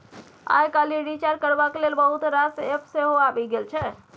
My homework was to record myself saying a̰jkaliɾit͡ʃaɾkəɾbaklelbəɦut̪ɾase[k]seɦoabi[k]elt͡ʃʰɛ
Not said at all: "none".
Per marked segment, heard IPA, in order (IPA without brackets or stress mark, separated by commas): p, ɡ